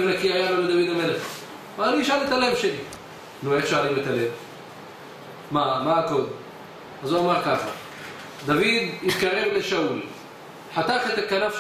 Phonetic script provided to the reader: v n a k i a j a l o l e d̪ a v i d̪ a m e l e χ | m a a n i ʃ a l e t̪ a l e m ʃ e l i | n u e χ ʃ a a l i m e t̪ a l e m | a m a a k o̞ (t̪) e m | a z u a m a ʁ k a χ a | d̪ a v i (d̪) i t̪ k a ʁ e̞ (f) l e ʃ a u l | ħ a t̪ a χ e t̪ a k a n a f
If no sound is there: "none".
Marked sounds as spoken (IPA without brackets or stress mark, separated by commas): d̪, d̪, v